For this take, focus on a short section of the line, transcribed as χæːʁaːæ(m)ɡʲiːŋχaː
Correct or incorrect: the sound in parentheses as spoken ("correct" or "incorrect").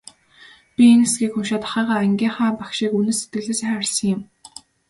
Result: incorrect